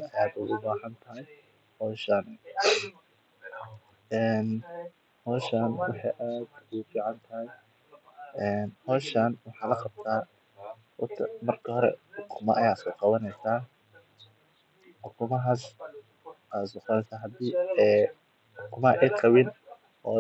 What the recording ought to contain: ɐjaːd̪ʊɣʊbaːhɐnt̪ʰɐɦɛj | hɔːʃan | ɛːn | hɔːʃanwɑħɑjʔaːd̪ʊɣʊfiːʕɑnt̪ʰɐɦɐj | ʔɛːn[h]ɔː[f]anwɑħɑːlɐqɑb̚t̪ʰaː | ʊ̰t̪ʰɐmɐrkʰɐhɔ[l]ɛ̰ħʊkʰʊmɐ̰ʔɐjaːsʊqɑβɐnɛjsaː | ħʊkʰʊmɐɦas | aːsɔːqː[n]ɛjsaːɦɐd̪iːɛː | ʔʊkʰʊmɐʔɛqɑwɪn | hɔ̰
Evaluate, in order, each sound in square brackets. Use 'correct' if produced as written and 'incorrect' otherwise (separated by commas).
correct, incorrect, incorrect, correct